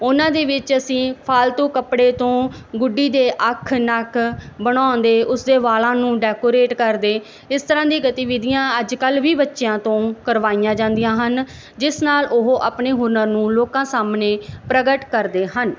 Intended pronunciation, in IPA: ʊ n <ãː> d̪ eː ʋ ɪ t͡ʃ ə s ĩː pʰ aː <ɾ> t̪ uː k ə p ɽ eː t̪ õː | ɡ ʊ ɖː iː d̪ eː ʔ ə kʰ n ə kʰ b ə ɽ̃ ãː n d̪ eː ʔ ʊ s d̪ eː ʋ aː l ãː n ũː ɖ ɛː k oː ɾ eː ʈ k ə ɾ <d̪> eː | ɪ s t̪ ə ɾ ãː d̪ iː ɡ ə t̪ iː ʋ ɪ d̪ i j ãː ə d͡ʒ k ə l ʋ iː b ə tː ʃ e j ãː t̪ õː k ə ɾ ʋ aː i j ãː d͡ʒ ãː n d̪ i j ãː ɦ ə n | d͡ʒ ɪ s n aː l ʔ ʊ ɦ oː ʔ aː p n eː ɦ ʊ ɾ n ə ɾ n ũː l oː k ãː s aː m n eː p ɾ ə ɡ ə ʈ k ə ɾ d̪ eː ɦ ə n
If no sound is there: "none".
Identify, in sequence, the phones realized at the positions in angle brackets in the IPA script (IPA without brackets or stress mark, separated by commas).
ãː, l, d̪